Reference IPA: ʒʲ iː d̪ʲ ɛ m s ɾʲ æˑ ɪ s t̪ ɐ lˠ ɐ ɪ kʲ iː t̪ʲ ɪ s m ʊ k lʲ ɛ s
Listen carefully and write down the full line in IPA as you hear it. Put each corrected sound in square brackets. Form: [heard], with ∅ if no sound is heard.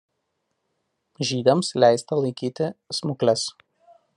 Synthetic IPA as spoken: ʒʲ iː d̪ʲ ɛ m s [lʲ] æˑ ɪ s t̪ ɐ lˠ ɐ ɪ kʲ iː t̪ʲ ɪ s m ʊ k lʲ ɛ s